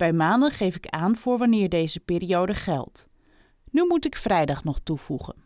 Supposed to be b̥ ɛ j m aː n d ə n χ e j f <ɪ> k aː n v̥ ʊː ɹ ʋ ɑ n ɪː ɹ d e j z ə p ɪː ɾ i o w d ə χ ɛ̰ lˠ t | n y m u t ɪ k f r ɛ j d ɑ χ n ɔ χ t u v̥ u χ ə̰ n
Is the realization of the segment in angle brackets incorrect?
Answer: no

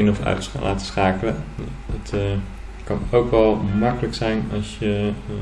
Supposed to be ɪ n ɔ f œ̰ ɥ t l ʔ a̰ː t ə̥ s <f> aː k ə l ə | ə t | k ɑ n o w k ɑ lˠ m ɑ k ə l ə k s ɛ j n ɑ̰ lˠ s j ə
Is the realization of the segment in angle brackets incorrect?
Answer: yes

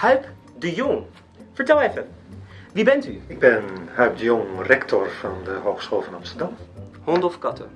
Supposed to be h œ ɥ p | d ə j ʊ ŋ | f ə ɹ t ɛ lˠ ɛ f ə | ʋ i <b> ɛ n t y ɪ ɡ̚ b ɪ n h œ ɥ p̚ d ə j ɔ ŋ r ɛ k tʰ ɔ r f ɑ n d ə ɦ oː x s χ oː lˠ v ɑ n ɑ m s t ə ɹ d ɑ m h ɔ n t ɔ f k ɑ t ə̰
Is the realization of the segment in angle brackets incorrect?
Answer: no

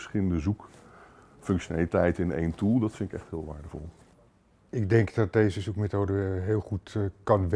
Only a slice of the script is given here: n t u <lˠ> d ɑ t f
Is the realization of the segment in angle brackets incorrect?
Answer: no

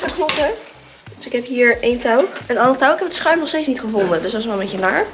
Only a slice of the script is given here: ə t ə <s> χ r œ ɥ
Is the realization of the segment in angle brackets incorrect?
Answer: no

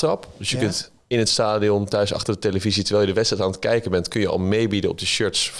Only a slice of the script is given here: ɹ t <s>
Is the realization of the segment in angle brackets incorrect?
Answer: no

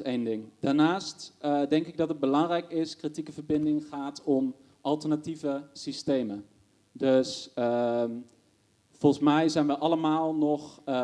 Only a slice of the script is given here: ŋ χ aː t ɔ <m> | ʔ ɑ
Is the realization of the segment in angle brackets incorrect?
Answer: no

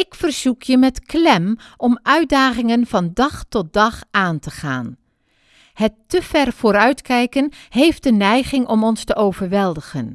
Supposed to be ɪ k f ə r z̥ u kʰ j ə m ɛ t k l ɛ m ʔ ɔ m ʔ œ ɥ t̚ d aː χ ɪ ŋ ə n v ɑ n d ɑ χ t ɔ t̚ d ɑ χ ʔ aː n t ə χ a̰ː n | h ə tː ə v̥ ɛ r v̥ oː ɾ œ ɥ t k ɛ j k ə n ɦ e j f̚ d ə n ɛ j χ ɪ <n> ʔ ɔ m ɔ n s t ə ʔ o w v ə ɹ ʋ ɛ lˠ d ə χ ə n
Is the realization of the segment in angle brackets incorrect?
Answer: yes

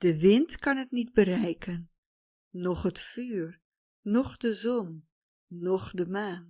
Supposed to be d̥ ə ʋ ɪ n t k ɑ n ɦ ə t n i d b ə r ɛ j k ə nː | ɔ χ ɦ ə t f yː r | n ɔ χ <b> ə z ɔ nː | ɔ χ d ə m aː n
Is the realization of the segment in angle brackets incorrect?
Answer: yes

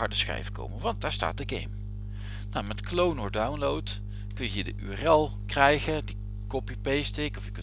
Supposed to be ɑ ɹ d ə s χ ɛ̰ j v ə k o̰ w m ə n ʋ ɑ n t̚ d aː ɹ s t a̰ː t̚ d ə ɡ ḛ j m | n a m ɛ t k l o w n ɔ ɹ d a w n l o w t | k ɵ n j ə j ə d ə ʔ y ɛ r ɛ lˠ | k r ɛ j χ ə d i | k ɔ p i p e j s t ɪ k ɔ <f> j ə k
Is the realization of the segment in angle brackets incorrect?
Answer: no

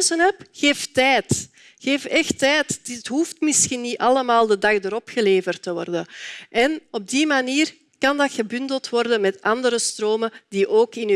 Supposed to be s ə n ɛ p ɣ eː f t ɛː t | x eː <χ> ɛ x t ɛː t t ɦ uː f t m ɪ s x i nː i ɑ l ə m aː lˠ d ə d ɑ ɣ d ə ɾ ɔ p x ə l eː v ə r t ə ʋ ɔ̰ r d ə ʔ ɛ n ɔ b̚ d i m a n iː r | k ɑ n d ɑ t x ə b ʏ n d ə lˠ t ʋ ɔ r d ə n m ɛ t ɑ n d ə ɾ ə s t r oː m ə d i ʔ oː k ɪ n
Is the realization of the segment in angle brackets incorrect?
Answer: yes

